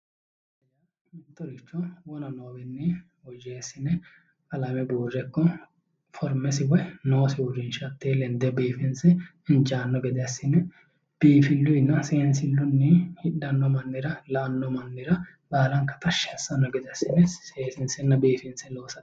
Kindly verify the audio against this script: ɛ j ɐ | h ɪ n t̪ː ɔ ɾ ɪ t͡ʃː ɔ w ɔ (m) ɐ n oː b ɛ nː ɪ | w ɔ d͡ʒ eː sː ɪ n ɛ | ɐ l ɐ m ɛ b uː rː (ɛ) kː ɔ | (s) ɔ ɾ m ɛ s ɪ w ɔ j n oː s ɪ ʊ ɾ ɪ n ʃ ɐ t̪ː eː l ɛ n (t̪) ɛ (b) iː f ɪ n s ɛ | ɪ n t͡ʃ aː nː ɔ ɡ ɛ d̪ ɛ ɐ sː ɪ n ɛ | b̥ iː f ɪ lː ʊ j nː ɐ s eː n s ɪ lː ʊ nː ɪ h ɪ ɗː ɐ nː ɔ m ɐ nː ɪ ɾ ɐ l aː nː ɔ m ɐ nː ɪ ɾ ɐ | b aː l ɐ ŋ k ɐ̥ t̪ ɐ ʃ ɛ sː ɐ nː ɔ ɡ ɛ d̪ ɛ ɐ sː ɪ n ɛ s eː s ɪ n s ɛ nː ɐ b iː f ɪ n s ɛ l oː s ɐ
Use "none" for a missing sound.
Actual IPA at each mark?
n, ɛ, f, d̪, b

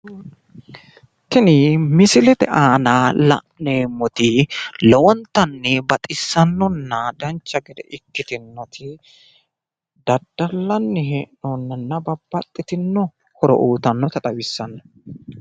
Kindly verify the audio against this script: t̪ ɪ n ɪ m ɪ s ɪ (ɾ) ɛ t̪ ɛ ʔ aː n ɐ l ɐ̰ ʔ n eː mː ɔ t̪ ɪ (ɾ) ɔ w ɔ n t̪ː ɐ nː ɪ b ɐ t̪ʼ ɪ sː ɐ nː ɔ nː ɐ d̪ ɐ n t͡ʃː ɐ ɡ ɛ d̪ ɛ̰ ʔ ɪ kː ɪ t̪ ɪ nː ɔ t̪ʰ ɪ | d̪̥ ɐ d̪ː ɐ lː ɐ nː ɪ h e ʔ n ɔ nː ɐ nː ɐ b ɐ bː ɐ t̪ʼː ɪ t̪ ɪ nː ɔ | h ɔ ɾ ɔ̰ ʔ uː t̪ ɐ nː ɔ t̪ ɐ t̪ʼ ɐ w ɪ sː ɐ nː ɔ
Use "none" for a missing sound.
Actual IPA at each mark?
l, l

